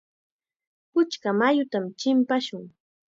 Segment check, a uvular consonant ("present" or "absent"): absent